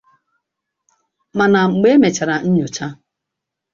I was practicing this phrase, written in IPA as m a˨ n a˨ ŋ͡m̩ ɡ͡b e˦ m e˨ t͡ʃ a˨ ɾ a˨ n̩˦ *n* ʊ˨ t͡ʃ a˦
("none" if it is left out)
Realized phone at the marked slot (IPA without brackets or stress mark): ɲ